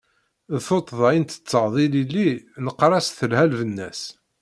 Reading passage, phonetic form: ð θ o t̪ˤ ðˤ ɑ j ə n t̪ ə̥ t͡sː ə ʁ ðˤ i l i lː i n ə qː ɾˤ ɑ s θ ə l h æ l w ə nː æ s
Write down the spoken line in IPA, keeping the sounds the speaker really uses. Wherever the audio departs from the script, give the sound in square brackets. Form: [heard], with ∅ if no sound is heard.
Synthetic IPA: ð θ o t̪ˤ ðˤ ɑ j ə n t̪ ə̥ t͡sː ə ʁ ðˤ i l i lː i n ə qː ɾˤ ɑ s θ ə l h æ l [v] ə nː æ s